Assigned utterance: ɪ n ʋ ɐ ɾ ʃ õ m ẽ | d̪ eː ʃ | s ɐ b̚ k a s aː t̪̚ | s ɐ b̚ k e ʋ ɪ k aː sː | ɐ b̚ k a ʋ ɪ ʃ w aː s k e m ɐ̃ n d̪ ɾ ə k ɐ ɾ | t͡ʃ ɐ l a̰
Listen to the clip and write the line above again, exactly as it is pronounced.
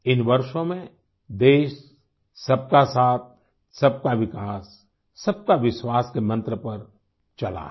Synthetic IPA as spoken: ɪ n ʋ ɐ ɾ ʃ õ m ẽ | d̪ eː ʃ | s ɐ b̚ k a s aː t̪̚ | s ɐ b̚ k a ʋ ɪ k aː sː | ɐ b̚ k a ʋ ɪ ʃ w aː s k e m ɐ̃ n t̪ ɾ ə p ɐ ɾ | t͡ʃ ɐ l a̰